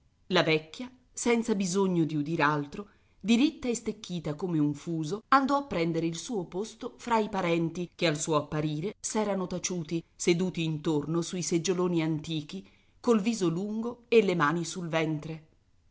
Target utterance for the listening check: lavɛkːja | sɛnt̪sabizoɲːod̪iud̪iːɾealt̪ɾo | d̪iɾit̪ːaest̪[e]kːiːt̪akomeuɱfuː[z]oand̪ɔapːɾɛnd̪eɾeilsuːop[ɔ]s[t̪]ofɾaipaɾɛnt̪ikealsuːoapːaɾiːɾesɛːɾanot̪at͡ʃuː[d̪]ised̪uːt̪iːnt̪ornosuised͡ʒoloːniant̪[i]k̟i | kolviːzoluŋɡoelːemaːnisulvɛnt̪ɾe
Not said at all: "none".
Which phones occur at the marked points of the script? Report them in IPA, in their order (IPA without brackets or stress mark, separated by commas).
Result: e, z, o, t̪, t̪, iː